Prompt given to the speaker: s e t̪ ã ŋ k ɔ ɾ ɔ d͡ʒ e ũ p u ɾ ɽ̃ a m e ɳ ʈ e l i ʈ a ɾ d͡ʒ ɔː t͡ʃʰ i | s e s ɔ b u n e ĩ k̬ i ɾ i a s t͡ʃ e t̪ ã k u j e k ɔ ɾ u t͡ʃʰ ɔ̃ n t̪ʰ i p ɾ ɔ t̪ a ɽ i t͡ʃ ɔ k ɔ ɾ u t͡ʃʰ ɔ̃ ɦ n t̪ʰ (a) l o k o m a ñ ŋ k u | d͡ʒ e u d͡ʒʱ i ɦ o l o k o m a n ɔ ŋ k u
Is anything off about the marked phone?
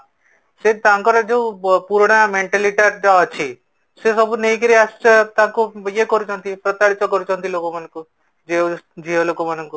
yes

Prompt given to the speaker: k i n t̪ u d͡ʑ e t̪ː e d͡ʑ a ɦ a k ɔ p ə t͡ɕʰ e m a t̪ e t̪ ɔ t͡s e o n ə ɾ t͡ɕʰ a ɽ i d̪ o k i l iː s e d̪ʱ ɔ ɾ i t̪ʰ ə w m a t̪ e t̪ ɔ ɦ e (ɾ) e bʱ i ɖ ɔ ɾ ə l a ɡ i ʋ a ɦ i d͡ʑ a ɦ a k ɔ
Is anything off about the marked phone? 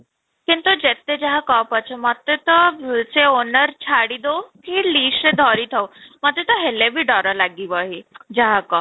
yes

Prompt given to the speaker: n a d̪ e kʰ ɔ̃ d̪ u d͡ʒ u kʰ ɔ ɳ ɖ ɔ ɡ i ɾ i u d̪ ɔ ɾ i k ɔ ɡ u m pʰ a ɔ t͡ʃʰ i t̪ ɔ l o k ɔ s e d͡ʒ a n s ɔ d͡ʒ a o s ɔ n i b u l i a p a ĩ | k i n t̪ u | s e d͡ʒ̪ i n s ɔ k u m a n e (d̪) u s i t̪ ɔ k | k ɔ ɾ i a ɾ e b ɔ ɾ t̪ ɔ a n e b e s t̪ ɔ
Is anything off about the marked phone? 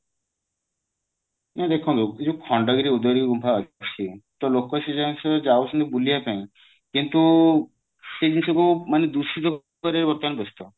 no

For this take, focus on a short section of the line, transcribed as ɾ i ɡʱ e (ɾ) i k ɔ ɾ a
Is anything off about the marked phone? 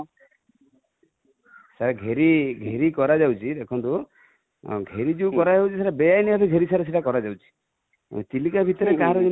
no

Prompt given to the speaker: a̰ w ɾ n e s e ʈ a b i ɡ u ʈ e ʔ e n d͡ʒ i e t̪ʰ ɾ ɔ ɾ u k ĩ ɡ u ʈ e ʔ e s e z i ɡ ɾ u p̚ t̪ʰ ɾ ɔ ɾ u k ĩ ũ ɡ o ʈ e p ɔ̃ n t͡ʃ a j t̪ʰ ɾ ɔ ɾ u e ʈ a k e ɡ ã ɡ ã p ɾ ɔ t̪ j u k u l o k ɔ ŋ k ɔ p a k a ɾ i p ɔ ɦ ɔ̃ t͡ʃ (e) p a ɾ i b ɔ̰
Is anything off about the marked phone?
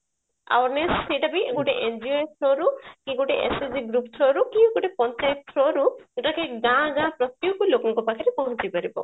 yes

